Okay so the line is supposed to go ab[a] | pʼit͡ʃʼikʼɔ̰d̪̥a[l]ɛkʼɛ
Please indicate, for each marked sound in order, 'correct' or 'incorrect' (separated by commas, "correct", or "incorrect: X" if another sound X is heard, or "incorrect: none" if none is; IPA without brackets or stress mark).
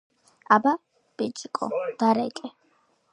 correct, incorrect: ɾ